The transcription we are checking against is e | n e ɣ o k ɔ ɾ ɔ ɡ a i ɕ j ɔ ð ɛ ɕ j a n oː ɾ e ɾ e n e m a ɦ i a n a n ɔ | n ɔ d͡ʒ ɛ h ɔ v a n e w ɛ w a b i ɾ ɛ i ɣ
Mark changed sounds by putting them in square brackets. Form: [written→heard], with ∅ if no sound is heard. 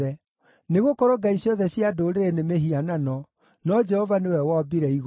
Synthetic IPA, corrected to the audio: [e→ɛ] | n e ɣ o k ɔ ɾ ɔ ɡ a i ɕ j ɔ ð ɛ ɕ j a [n→d] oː ɾ e ɾ e n e m [a→e] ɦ i a n a n ɔ | n ɔ d͡ʒ ɛ h ɔ v a n e w ɛ w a b i ɾ ɛ i ɣ